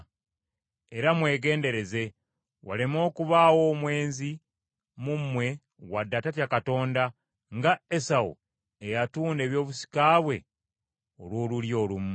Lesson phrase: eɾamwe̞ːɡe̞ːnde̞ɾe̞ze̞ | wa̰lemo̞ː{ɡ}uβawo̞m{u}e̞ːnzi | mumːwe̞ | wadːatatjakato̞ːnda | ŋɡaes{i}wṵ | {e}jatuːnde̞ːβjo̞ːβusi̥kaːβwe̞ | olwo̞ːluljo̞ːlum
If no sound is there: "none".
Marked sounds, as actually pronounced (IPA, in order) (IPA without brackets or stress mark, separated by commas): k, w, a, e